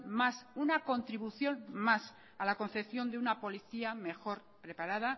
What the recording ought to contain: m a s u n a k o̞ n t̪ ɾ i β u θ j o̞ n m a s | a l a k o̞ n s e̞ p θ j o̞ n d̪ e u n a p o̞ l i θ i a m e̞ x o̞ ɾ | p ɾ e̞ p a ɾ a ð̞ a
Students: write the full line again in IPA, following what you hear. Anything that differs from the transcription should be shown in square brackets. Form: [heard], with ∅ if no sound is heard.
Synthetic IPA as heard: m a s u n a k o̞ n t̪ ɾ i β u θ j o̞ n m a s | a l a k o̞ n [θ] e̞ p θ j o̞ n d̪ e u n a p o̞ l i θ i a m e̞ x o̞ ɾ | p ɾ e̞ p a ɾ a ð̞ a